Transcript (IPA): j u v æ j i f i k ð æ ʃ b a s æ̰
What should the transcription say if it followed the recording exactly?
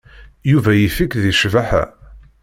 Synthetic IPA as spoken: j u v æ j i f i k ð i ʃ v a ħ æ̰